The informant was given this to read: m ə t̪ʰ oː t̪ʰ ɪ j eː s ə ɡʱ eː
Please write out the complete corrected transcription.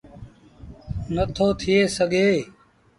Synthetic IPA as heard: n ə t̪ʰ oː t̪ʰ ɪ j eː s ə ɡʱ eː